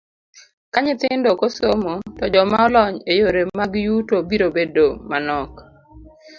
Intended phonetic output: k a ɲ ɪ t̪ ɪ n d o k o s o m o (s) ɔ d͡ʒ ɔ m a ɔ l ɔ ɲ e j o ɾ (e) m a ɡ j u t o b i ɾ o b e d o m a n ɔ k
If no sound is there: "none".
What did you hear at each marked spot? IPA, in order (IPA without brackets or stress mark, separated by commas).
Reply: t, e